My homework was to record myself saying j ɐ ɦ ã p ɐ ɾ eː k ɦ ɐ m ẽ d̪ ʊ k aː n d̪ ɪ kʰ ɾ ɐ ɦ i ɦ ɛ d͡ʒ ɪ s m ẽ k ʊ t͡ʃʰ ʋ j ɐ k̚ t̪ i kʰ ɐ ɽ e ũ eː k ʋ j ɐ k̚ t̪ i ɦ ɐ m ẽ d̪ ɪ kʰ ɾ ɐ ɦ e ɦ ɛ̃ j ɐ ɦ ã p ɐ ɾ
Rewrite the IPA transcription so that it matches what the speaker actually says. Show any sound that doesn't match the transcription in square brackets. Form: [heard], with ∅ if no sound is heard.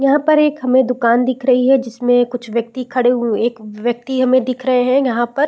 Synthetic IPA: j ɐ ɦ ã p ɐ ɾ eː k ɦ ɐ m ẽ d̪ ʊ k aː n d̪ ɪ kʰ ɾ ɐ ɦ i ɦ ɛ d͡ʒ ɪ s m ẽ k ʊ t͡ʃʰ ʋ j ɐ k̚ t̪ i kʰ ɐ ɽ e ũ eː k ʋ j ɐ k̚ t̪ i ɦ ɐ m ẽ d̪ ɪ kʰ ɾ ɐ ɦ e ɦ ɛ̃ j ɐ ɦ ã p ɐ ɾ